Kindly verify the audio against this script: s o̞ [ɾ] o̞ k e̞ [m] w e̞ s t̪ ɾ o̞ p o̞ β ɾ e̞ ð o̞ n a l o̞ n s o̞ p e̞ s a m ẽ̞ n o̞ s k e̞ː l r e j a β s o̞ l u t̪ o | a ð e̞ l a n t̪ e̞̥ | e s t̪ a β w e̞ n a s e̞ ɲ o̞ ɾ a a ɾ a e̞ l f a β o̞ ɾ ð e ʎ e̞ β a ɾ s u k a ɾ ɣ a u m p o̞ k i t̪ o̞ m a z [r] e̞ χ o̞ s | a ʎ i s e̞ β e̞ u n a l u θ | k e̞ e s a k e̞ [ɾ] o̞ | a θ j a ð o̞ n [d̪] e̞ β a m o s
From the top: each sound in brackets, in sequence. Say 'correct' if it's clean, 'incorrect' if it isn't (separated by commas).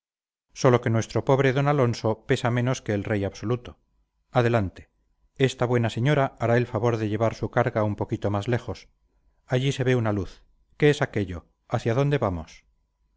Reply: incorrect, incorrect, incorrect, incorrect, correct